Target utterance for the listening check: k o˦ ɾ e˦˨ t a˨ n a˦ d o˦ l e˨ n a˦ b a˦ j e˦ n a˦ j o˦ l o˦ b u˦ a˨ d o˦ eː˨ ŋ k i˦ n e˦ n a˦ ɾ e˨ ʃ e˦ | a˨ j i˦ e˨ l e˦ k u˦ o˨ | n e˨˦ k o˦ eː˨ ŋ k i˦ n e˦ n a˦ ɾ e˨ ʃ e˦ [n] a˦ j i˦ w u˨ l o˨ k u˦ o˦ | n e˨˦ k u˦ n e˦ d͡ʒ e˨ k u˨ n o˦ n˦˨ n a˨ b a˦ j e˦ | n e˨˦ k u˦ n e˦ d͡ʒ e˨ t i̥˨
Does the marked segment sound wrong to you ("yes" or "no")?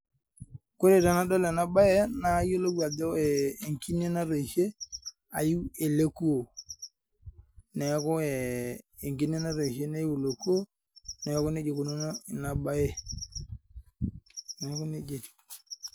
no